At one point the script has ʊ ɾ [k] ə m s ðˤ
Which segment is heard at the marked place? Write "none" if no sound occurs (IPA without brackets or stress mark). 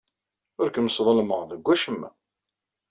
k